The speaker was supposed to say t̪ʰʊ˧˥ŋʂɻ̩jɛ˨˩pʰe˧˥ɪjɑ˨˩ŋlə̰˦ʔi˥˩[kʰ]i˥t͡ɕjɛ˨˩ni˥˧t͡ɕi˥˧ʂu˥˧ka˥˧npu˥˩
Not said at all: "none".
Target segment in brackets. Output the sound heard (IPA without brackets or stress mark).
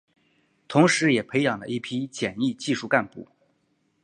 pʰ